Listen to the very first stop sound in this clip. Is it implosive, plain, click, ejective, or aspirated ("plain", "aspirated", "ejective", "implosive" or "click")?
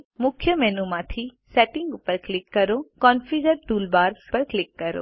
aspirated